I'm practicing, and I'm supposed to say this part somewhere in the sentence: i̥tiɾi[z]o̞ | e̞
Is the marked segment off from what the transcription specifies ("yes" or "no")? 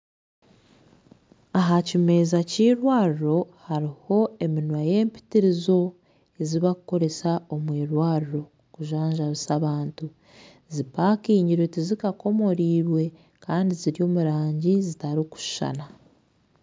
no